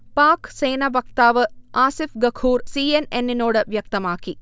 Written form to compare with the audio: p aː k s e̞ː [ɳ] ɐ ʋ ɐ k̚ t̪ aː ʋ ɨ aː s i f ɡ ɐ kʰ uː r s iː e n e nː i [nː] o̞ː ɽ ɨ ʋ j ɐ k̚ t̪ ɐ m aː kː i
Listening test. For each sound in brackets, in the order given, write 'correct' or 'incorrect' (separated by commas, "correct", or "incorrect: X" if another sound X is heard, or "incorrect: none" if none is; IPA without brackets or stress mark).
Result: incorrect: n, incorrect: n